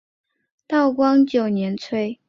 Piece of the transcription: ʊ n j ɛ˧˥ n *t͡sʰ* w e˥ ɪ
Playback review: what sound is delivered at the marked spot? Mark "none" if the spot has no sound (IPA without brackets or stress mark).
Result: t͡sʰ